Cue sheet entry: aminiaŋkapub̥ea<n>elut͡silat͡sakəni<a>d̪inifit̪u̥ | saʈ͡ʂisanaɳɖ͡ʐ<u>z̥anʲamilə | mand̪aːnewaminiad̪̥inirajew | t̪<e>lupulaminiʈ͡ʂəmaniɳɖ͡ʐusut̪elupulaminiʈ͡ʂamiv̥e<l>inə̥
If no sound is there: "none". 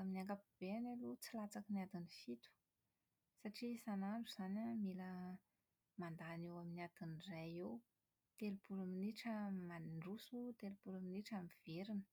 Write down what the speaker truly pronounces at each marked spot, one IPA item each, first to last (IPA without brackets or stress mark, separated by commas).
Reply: n, a, u, e, ɾ